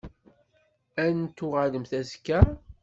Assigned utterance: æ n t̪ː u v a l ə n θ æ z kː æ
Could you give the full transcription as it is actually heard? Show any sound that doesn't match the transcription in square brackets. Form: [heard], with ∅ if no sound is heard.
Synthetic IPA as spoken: æ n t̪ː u [ʁ] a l ə [m] θ æ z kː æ